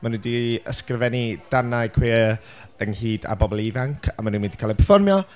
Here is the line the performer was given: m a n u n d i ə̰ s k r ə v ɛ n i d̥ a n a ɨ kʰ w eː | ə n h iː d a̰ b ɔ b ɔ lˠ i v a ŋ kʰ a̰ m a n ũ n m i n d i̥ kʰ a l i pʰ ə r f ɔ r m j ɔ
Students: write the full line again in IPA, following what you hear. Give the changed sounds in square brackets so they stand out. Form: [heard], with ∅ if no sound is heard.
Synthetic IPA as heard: m a n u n d i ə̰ s k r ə v ɛ n i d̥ a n a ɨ kʰ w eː | ə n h iː d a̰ b ɔ b ɔ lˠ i v a ŋ kʰ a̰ m a n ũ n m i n d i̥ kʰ a l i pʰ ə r f ɔ r m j ɔ